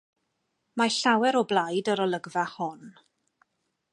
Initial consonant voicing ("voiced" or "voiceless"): voiced